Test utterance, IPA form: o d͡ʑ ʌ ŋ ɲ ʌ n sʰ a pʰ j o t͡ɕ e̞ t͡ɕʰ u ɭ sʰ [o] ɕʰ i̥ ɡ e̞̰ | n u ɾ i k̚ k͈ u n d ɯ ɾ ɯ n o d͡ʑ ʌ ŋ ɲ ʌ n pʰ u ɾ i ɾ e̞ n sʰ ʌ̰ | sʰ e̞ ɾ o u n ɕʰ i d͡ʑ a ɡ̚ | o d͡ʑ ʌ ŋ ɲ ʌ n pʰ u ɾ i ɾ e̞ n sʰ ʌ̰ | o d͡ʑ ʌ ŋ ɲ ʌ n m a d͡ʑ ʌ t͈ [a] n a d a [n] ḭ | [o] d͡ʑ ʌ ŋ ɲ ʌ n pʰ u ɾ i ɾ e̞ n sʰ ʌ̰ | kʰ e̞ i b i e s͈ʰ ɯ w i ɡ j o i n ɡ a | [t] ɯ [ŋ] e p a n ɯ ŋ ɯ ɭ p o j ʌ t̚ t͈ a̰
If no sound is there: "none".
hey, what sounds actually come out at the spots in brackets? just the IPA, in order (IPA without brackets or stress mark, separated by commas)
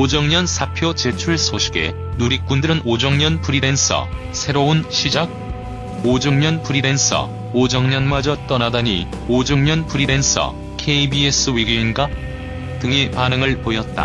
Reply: o, ʌ, ɲ, o, t, ŋ